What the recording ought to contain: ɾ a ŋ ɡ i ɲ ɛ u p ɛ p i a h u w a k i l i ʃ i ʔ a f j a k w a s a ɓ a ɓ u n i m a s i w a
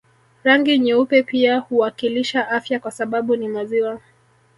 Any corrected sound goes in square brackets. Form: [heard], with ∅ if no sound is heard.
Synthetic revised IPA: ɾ a ŋ ɡ i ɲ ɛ u p ɛ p i a h u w a k i l i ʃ [a] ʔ a f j a k w a s a ɓ a ɓ u n i m a [z] i w a